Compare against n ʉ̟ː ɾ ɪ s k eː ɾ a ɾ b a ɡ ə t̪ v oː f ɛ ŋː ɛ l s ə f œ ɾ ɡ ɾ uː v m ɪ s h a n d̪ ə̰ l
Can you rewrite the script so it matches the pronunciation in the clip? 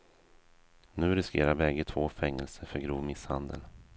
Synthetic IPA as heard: n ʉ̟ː ɾ ɪ s k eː ɾ a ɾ b ɛ ɡ ə t̪ʰ v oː f ɛ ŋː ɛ l s ə f œ ɾ ɡ ɾ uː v m ɪ s h a n d̪ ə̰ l

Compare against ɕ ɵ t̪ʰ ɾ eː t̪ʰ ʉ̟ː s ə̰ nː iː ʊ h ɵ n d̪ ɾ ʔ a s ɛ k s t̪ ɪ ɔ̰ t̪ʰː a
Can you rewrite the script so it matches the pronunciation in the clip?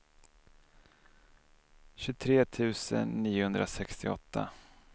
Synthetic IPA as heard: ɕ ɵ t̪ʰ ɾ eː t̪ʰ ʉ̟ː s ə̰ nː iː ʊ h ɵ n d̪ ɾ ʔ a s ɛ k s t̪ ɪ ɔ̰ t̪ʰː a

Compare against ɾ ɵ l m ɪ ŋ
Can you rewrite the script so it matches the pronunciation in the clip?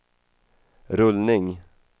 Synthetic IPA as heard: ɾ ɵ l n ɪ ŋ

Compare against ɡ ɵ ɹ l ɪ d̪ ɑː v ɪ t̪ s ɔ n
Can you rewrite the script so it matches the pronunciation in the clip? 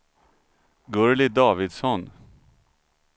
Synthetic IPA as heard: ɡ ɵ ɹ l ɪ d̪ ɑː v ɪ d̪ s ɔ n

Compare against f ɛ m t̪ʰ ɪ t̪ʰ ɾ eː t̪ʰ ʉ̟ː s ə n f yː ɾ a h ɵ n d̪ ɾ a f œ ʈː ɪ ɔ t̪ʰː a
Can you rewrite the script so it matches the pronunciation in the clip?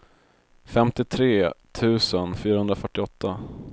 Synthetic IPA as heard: f ɛ m t̪ ɪ t̪ʰ ɾ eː t̪ʰ ʉ̟ː s ə n f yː ɾ a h ɵ n d̪ ɾ a f œ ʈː ɪ ɔ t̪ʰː a

